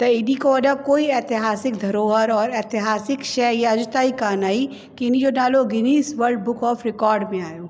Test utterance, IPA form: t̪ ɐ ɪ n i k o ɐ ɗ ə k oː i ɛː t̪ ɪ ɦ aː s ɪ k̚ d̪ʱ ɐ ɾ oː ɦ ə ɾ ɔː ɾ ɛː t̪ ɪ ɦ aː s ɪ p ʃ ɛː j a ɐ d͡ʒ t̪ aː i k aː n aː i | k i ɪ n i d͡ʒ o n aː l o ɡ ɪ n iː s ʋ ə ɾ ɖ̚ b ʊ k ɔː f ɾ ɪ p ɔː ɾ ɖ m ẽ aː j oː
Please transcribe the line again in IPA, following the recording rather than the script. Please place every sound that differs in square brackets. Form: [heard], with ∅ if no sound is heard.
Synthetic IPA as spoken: t̪ ɐ ɪ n i k o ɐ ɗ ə k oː i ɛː t̪ ɪ ɦ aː s ɪ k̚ d̪ʱ ɐ ɾ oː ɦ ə ɾ ɔː ɾ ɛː t̪ ɪ ɦ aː s ɪ [k] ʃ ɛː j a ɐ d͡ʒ t̪ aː i k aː n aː i | k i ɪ n i d͡ʒ o n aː l o ɡ ɪ n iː s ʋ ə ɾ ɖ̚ b ʊ k ɔː f ɾ ɪ [k] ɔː ɾ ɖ m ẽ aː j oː